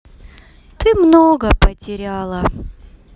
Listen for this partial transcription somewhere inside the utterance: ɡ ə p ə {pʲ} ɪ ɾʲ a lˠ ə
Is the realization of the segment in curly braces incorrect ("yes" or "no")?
yes